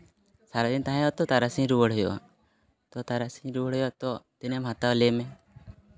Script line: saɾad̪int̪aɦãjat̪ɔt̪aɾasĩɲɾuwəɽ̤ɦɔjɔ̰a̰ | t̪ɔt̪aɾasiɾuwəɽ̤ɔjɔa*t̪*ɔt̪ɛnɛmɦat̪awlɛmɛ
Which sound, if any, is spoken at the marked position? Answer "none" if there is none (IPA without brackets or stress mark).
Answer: t̪